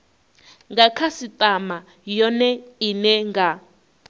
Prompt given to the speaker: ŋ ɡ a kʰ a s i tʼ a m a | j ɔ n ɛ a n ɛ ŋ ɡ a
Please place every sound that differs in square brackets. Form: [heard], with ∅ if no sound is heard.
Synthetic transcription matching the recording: ŋ ɡ a kʰ a s i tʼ a m a | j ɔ n ɛ [i] n ɛ ŋ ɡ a